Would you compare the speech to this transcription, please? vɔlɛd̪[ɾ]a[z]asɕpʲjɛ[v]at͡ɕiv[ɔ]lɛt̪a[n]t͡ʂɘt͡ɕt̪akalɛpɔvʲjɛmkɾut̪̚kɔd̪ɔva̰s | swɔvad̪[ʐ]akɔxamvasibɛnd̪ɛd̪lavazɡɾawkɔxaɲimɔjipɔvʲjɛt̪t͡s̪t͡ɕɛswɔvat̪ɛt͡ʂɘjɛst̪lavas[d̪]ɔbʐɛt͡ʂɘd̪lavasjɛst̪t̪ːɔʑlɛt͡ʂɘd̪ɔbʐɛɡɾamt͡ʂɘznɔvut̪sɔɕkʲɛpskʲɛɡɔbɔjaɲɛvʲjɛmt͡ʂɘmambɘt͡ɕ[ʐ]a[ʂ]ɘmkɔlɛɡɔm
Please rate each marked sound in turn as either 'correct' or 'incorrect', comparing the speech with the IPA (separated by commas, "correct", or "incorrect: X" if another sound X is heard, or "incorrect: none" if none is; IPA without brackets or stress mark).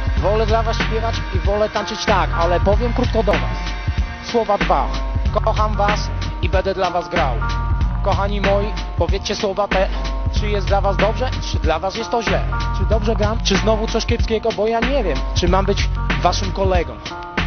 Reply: incorrect: l, incorrect: v, correct, correct, correct, incorrect: v, correct, incorrect: v, correct